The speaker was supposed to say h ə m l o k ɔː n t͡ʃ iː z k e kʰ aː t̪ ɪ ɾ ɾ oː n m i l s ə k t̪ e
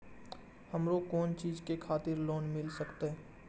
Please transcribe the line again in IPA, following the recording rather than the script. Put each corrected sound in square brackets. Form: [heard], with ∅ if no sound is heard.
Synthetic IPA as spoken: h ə m [ɾ] o k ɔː n t͡ʃ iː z k e kʰ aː t̪ ɪ ɾ [l] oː n m [ɪ] l s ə k t̪ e